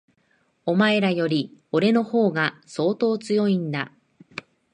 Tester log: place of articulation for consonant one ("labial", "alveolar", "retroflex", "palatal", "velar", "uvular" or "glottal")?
labial